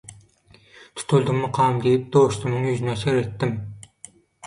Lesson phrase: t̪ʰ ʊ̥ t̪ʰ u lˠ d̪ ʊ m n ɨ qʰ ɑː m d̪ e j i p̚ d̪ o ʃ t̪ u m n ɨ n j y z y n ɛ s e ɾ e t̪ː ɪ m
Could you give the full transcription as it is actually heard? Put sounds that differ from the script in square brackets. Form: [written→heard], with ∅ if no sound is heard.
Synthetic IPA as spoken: t̪ʰ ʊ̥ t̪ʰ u lˠ d̪ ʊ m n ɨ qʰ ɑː m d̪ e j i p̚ d̪ o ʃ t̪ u m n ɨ [n→ŋ] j y z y n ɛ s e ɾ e t̪ː ɪ m